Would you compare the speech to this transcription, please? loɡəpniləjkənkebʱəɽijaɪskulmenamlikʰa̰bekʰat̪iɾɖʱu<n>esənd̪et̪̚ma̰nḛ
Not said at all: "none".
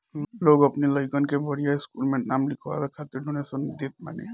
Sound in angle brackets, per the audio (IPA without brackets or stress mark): n